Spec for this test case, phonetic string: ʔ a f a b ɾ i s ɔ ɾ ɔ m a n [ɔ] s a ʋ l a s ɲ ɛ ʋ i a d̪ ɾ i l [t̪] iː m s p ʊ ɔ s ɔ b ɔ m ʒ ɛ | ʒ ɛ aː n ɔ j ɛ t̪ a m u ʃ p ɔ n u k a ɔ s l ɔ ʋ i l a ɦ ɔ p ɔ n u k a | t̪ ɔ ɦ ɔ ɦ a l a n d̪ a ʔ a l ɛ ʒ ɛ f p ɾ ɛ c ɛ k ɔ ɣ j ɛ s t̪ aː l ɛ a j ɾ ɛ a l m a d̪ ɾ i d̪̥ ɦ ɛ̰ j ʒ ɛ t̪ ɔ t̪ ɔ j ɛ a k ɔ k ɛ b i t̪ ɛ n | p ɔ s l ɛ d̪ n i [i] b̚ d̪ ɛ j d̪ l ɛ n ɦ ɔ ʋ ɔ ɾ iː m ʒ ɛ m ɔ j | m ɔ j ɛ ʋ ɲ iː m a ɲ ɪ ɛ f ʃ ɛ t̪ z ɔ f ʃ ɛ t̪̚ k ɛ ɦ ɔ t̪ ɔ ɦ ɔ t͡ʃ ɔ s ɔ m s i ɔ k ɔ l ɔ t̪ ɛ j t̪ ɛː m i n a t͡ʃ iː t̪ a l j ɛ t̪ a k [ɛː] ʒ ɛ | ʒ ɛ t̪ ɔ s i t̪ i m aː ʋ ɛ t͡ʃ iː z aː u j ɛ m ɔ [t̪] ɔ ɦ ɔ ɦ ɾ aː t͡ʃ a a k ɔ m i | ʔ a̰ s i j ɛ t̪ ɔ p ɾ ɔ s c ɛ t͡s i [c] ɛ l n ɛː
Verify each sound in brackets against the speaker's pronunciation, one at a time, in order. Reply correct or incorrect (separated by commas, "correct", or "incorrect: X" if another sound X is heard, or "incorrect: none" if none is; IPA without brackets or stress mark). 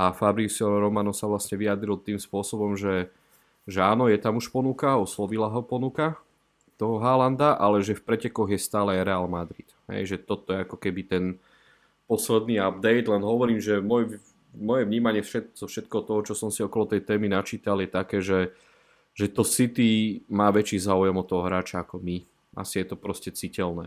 correct, correct, incorrect: a, correct, correct, correct